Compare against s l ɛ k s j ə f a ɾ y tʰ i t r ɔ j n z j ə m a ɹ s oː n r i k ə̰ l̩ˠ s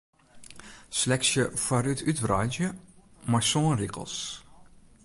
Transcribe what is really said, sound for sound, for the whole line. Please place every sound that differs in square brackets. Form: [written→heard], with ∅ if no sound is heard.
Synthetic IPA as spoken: s l ɛ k s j ə f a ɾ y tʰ [i→y] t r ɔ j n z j ə m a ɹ s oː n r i k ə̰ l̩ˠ s